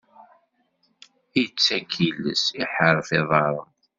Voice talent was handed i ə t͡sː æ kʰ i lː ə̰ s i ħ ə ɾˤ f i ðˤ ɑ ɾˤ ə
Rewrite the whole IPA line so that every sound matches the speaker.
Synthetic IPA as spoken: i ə t͡sː æ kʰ i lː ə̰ s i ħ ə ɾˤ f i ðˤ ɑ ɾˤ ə